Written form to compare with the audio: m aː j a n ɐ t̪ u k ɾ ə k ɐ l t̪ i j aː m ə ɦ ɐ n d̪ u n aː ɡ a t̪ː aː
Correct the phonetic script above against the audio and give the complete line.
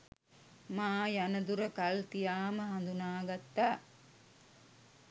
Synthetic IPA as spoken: m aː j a n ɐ d̪ u ɾ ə k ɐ l t̪ i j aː m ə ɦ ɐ n d̪ u n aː ɡ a t̪ː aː